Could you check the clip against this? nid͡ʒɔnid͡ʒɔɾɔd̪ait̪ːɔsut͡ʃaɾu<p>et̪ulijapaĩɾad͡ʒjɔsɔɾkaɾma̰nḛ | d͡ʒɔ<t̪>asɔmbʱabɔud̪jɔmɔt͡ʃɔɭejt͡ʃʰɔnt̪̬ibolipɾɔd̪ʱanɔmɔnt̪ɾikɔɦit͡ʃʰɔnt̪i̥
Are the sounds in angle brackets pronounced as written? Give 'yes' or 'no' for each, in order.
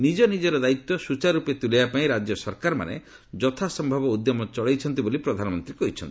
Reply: yes, no

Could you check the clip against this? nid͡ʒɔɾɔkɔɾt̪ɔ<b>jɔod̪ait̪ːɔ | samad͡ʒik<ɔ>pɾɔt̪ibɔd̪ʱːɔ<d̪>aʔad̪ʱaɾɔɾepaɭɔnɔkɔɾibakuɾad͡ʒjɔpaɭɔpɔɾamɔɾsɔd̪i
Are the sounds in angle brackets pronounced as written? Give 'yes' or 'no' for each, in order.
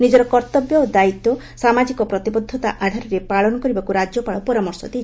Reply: yes, yes, no

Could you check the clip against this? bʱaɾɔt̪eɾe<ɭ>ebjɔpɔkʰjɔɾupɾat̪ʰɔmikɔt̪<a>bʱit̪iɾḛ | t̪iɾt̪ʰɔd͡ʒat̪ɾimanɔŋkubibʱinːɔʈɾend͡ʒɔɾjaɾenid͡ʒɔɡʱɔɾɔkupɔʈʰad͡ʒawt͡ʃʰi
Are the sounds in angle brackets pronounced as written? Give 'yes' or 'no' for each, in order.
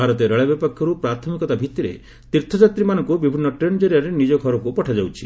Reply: yes, yes

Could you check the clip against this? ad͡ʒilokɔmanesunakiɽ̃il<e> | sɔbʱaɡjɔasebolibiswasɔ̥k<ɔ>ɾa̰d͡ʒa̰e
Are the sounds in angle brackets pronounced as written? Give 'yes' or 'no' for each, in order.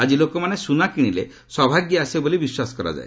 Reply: yes, yes

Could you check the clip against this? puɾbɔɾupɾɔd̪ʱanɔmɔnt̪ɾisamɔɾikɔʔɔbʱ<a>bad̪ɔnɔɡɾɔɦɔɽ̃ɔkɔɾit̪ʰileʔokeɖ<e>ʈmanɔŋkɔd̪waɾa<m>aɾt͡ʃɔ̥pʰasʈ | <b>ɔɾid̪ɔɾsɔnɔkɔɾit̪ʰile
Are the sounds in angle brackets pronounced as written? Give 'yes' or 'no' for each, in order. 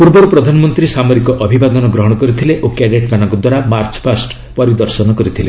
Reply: no, yes, yes, no

